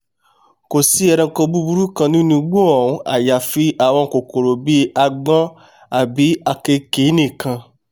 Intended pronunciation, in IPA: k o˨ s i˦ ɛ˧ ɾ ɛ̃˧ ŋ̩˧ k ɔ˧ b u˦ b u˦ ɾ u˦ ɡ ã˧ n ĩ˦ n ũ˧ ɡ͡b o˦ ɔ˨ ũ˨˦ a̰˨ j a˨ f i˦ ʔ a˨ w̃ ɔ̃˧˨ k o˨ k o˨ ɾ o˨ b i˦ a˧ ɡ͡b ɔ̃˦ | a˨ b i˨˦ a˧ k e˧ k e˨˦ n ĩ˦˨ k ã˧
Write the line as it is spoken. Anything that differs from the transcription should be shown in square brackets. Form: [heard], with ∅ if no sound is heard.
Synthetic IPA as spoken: k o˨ s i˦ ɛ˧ ɾ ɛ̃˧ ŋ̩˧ k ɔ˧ b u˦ b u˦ ɾ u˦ [k] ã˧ n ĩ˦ n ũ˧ ɡ͡b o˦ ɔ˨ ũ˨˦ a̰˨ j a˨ f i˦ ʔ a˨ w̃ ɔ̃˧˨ k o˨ k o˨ ɾ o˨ b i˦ a˧ ɡ͡b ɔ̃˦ | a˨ b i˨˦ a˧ k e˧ k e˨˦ n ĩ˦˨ k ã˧